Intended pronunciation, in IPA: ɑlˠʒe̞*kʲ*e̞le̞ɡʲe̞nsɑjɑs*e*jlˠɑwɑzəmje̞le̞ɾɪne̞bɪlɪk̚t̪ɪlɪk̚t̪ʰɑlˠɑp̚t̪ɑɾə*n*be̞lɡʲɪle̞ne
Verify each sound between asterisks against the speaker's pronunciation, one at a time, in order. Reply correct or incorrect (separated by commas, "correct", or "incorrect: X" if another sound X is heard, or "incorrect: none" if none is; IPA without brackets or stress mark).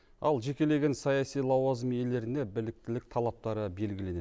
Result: correct, incorrect: i, incorrect: none